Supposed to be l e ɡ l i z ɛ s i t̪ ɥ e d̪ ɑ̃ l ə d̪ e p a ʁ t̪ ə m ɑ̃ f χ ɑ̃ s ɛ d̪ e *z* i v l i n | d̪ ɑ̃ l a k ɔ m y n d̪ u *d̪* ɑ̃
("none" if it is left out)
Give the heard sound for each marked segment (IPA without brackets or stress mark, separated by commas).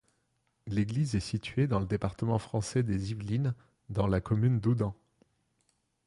z, d̪